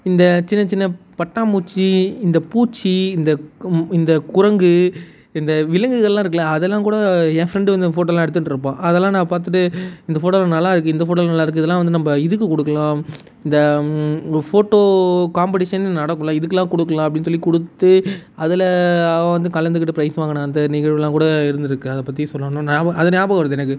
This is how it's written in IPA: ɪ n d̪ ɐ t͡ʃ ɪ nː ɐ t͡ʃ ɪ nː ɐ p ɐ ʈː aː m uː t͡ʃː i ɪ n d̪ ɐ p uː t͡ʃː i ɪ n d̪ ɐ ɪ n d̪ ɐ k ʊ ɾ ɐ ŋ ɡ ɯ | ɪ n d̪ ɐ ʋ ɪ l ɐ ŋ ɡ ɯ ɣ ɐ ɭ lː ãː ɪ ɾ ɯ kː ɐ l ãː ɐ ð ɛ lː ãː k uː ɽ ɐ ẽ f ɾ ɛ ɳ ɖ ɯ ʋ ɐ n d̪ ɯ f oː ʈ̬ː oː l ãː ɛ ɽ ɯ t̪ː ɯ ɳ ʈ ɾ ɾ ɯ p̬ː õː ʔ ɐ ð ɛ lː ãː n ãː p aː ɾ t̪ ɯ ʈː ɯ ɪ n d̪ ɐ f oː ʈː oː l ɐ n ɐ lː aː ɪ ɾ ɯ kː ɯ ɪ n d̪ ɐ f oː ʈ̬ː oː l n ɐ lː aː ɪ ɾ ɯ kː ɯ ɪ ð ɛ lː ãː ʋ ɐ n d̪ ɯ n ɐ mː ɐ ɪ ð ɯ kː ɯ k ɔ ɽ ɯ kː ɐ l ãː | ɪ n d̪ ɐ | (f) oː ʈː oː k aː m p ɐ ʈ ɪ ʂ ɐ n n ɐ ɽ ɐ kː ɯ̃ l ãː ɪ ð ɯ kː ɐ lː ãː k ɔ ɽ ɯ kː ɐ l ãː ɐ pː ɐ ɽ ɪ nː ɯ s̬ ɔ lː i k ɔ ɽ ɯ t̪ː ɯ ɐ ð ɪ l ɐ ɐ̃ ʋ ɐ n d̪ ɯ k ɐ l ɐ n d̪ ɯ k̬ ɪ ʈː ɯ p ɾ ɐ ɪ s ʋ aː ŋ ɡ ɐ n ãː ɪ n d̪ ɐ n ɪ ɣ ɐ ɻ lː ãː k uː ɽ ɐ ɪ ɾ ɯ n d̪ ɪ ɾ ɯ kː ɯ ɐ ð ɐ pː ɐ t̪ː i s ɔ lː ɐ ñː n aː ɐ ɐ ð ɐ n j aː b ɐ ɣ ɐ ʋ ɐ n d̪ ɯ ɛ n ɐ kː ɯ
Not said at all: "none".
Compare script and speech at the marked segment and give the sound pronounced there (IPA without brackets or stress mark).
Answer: f